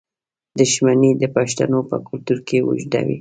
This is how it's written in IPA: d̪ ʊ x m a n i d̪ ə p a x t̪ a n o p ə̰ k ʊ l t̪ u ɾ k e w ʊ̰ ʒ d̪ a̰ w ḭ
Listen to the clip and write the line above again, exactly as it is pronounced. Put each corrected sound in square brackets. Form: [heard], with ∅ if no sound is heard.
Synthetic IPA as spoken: d̪ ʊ [ʃ] m a n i d̪ ə p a [ʃ] t̪ a n o p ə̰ k ʊ l t̪ u ɾ k e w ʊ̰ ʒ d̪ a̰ w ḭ